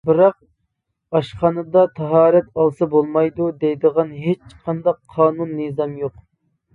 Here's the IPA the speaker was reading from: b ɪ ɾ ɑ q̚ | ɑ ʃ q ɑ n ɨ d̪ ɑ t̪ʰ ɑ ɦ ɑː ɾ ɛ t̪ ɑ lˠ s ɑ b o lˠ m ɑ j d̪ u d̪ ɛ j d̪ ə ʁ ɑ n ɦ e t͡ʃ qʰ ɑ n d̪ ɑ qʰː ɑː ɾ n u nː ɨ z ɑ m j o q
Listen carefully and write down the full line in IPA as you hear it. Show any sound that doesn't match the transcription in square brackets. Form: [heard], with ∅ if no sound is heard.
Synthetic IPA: b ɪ ɾ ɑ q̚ | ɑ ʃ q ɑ n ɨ d̪ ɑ t̪ʰ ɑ ɦ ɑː ɾ ɛ t̪ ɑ lˠ s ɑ b o lˠ m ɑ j d̪ u d̪ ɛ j d̪ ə ʁ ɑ n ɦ e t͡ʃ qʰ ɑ n d̪ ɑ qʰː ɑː [∅] n u nː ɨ z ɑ m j o q

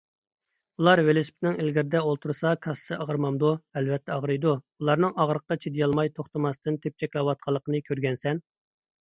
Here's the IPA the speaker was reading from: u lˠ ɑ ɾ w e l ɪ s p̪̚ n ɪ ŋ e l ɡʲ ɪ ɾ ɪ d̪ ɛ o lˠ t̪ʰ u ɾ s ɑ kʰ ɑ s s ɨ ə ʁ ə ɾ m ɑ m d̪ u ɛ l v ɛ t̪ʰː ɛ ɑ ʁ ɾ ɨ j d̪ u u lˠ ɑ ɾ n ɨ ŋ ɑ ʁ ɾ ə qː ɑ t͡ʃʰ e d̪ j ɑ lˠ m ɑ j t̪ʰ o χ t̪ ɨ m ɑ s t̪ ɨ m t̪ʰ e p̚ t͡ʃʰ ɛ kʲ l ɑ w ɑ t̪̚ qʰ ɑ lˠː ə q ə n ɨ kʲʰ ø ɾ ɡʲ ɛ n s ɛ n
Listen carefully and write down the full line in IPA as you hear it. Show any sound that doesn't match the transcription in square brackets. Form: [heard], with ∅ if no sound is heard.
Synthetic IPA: u lˠ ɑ ɾ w e l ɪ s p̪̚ n ɪ ŋ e l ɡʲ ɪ ɾ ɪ d̪ ɛ o lˠ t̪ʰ u ɾ s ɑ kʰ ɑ s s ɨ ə ʁ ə ɾ m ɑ m d̪ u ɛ l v ɛ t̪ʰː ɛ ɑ ʁ ɾ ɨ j d̪ u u lˠ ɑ ɾ n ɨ ŋ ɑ ʁ ɾ ə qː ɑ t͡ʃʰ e d̪ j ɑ lˠ m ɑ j t̪ʰ o χ t̪ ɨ m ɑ s t̪ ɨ [n] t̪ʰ e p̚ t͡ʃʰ ɛ kʲ l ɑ w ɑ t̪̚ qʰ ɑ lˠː ə q ə n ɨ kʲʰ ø ɾ ɡʲ ɛ n s ɛ n

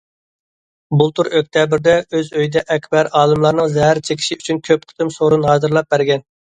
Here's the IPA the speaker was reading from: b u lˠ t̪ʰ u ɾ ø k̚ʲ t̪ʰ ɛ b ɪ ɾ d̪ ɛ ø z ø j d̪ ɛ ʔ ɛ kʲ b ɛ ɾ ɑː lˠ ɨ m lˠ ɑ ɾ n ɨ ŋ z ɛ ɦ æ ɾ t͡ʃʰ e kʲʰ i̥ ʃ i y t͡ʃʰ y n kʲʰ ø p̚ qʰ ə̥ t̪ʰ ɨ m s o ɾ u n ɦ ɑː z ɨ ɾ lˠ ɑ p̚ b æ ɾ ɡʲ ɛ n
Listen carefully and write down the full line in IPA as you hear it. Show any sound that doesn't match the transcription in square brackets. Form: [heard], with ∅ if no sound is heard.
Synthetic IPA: b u lˠ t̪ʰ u ɾ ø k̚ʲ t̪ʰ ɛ b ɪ ɾ d̪ ɛ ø z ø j d̪ ɛ ʔ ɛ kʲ b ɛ ɾ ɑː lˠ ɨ m lˠ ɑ ɾ n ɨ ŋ z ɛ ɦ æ ɾ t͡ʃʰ e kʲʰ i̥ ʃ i y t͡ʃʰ y n kʲʰ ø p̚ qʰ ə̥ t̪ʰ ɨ m s o ɾ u n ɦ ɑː z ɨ ɾ lˠ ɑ p̚ b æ ɾ ɡʲ ɛ n

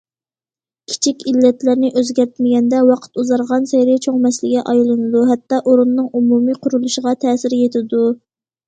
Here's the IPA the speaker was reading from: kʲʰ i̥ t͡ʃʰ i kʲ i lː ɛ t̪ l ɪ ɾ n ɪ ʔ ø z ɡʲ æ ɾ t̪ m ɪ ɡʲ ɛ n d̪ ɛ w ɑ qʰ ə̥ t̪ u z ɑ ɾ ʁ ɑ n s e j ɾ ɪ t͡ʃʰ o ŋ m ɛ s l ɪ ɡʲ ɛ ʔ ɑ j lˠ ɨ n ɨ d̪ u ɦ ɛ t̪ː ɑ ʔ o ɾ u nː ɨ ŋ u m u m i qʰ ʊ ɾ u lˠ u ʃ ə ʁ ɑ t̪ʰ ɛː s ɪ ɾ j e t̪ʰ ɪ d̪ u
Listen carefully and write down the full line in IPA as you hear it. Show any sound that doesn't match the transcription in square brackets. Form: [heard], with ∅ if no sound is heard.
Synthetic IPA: kʲʰ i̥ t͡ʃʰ i kʲ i lː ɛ t̪ l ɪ ɾ n ɪ ʔ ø z ɡʲ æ ɾ t̪ m ɪ ɡʲ ɛ n d̪ ɛ w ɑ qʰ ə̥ t̪ u z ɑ ɾ ʁ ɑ n s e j ɾ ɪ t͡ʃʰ o ŋ m ɛ s l ɪ ɡʲ ɛ ʔ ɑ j lˠ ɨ n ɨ d̪ u ɦ ɛ t̪ː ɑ ʔ o ɾ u nː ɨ ŋ u m u m i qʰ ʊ ɾ u lˠ u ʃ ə ʁ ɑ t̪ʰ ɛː s ɪ ɾ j e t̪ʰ ɪ d̪ u

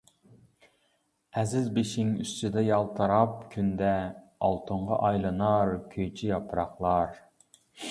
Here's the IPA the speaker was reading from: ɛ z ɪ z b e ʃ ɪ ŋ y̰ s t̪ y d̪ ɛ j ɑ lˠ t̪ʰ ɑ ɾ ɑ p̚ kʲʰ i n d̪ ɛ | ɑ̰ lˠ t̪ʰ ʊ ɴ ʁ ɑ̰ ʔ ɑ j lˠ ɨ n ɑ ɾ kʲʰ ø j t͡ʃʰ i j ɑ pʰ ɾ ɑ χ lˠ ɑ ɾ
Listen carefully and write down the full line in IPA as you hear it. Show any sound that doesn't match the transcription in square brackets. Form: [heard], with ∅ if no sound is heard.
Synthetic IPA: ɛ z ɪ z b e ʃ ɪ ŋ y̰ s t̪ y d̪ ɛ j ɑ lˠ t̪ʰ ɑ ɾ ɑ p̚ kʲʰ [y] n d̪ ɛ | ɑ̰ lˠ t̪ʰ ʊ ɴ ʁ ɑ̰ ʔ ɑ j lˠ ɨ n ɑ ɾ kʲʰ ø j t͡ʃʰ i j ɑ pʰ ɾ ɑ χ lˠ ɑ ɾ

